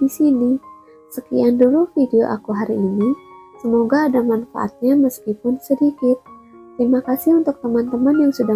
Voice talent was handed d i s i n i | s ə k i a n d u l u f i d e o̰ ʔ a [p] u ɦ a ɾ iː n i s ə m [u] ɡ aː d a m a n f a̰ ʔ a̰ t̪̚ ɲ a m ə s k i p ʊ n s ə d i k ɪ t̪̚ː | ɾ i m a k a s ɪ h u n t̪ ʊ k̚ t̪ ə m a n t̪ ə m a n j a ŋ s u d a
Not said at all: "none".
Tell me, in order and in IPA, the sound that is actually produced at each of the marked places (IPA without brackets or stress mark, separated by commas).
k, o